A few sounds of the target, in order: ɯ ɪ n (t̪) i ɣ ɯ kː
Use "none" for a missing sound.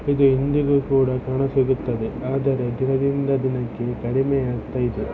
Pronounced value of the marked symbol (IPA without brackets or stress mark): d̪